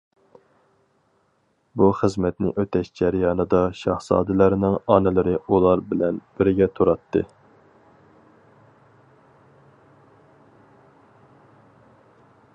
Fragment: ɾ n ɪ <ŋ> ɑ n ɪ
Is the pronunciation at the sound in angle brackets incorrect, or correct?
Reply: correct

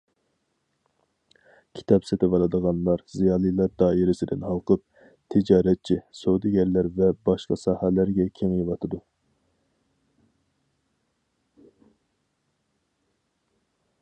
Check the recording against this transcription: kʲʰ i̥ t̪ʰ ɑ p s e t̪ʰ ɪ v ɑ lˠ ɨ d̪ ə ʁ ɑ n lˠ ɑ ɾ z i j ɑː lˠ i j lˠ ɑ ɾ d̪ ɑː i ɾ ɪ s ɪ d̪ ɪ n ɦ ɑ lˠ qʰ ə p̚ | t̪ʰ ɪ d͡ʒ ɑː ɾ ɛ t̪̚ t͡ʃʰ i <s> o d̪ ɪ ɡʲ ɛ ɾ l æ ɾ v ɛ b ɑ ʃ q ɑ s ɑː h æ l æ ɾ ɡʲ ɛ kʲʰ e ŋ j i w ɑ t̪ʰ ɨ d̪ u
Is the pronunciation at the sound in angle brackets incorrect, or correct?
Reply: correct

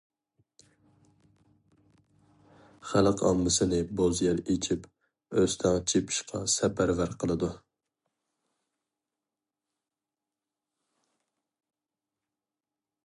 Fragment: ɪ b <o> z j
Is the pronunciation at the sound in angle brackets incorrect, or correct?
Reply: correct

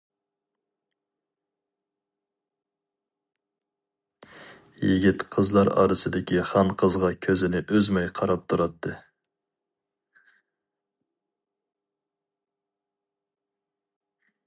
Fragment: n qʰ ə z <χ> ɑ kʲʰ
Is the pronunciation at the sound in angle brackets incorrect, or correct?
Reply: incorrect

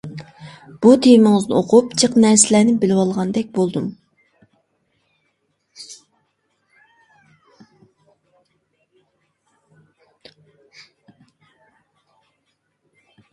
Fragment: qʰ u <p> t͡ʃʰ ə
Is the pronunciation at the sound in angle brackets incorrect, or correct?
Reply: correct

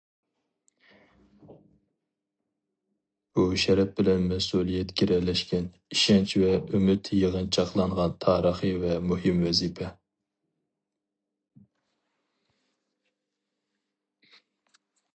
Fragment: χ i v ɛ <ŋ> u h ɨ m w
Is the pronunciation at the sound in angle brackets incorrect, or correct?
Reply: incorrect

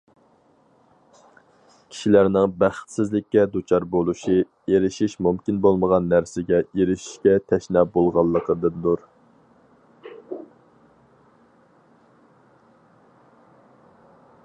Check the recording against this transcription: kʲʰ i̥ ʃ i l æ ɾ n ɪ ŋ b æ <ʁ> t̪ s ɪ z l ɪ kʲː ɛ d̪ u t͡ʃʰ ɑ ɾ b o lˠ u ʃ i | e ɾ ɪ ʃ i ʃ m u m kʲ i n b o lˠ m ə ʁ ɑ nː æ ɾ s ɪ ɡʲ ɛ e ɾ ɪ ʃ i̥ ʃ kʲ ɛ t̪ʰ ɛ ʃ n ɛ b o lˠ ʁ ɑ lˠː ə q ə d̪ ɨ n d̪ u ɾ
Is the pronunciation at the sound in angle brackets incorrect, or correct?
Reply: incorrect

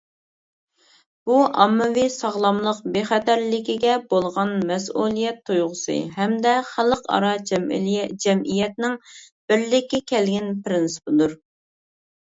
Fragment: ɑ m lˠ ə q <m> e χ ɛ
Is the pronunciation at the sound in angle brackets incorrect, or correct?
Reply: incorrect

